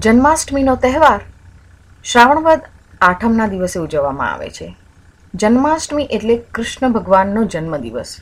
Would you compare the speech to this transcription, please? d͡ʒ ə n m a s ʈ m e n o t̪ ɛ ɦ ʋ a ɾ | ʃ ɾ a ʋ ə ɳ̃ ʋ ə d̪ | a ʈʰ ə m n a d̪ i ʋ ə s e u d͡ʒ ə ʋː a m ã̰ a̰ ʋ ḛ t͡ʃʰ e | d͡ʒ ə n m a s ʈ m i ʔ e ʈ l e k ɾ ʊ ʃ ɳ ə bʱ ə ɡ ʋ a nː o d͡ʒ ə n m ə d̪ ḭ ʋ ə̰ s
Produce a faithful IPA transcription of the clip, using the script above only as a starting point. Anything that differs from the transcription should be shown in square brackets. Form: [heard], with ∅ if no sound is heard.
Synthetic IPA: d͡ʒ ə n m a s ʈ m [i] n o t̪ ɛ ɦ ʋ a ɾ | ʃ ɾ a ʋ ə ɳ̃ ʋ ə d̪ | a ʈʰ ə m n a d̪ i ʋ ə s e u d͡ʒ ə ʋː a m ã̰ a̰ ʋ ḛ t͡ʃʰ e | d͡ʒ ə n m a s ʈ m i ʔ e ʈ l e k ɾ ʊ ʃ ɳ ə bʱ ə ɡ ʋ a nː o d͡ʒ ə n m ə d̪ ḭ ʋ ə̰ s